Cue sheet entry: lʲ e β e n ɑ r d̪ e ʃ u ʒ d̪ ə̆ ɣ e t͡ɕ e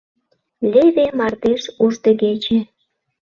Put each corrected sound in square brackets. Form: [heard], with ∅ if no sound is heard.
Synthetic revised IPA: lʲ e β e [m] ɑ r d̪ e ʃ u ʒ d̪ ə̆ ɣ e t͡ɕ e